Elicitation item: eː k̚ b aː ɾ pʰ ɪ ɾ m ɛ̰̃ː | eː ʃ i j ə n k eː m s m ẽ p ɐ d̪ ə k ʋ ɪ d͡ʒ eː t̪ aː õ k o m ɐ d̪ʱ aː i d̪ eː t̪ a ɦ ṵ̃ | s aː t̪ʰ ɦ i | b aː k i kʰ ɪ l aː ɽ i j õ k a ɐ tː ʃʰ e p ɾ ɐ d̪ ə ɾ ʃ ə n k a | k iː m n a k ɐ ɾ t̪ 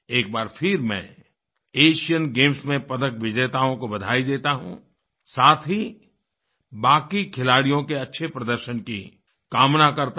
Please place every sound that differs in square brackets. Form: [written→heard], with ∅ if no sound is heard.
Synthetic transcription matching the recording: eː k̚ b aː ɾ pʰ ɪ ɾ m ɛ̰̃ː | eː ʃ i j ə n [k→ɡ] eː m s m ẽ p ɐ d̪ ə k ʋ ɪ d͡ʒ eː t̪ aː õ k o [m→b] ɐ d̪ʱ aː i d̪ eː t̪ a ɦ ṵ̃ | s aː t̪ʰ ɦ i | b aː k i kʰ ɪ l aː ɽ i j õ k [a→e] ɐ tː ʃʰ e p ɾ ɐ d̪ ə ɾ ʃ ə n k [a→i] | k [iː→aː] m n a k ɐ ɾ t̪